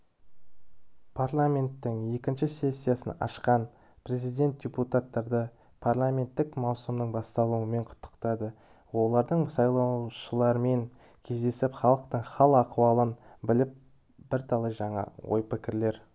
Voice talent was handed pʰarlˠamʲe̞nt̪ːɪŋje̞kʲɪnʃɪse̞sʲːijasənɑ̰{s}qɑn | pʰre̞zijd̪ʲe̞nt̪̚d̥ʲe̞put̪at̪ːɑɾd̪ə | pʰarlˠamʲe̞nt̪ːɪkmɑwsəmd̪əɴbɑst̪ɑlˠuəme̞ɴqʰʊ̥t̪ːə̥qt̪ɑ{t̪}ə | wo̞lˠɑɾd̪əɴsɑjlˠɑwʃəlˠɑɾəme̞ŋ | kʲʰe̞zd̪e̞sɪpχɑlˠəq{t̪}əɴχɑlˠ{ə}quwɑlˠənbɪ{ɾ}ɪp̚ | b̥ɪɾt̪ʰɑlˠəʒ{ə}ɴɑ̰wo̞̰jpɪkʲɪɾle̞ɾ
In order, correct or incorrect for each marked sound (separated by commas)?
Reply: incorrect, incorrect, correct, incorrect, incorrect, incorrect